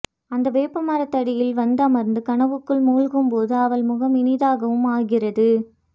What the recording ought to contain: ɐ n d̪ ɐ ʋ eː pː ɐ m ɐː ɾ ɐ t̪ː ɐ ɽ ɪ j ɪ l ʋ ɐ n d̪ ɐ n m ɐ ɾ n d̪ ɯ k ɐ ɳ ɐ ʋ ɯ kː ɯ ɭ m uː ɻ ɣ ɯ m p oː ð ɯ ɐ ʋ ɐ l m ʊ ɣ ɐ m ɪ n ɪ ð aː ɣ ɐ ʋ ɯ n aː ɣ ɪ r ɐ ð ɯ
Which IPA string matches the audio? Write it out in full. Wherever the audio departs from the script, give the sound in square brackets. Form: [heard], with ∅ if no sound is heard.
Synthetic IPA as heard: ɐ n d̪ ɐ ʋ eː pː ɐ m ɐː ɾ ɐ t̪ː ɐ ɽ ɪ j ɪ l ʋ ɐ n d̪ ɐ [∅] m ɐ ɾ n d̪ ɯ k ɐ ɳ ɐ ʋ ɯ kː ɯ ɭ m uː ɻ ɣ ɯ m p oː ð ɯ ɐ ʋ ɐ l m ʊ ɣ ɐ m ɪ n ɪ ð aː ɣ ɐ ʋ ɯ [m] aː ɣ ɪ r ɐ ð ɯ